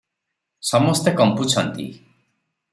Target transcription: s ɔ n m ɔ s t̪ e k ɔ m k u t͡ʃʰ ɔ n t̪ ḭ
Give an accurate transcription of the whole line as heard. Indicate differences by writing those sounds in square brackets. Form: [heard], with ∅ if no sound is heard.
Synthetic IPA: s ɔ [∅] m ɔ s t̪ e k ɔ m [p] u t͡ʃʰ ɔ n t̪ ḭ